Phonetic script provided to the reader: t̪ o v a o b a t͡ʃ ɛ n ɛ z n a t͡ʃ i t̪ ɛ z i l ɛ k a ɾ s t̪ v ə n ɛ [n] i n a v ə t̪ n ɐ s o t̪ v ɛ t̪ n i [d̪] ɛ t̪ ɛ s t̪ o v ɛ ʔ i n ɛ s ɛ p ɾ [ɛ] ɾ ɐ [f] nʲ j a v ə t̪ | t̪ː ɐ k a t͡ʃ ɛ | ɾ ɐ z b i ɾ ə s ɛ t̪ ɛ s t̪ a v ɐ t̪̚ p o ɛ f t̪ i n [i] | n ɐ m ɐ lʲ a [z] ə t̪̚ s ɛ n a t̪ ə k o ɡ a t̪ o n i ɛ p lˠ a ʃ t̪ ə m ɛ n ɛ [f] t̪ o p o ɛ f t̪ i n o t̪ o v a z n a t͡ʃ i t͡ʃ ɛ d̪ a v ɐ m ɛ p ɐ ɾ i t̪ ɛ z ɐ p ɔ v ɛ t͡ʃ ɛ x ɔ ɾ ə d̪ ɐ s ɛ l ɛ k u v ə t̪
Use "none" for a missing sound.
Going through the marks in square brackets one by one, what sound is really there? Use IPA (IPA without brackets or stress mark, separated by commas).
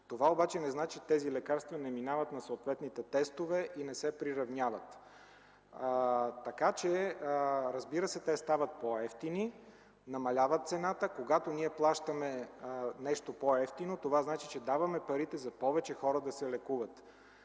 m, t̪, i, v, i, v, ʃ